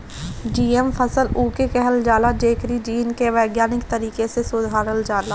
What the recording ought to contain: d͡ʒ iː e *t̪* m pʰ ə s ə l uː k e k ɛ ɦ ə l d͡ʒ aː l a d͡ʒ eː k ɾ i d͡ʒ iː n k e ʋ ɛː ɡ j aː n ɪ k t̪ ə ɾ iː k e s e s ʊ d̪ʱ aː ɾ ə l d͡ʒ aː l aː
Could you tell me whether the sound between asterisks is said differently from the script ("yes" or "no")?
yes